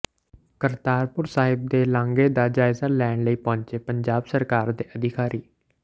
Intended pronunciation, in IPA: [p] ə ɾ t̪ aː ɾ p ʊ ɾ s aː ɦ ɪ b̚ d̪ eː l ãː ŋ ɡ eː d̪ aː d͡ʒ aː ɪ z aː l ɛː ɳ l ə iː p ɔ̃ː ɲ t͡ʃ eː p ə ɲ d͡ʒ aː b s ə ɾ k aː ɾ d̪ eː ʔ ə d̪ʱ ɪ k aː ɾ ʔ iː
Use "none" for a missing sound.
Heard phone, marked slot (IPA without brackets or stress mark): k